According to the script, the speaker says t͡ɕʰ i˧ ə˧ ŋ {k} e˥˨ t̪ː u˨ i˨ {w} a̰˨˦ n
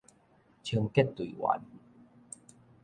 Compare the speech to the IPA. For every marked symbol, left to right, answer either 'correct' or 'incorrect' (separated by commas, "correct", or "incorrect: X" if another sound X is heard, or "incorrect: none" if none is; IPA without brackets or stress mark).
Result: correct, correct